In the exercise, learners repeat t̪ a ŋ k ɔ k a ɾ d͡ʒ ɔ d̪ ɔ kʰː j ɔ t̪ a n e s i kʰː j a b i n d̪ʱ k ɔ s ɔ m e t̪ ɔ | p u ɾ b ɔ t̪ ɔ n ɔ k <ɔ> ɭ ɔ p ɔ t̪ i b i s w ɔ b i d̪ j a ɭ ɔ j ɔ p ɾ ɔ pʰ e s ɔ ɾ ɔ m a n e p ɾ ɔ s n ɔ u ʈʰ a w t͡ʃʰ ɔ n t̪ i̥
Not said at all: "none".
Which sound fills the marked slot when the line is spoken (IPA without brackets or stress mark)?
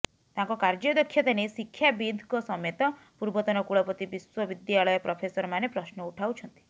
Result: u